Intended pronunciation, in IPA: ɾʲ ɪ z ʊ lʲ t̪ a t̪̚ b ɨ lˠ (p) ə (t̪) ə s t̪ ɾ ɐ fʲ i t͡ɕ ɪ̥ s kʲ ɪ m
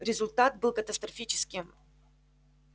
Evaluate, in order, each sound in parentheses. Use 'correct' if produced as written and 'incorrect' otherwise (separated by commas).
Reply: incorrect, correct